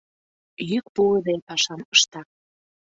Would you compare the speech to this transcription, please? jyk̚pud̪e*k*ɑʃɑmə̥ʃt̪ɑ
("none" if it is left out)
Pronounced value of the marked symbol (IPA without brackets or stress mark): p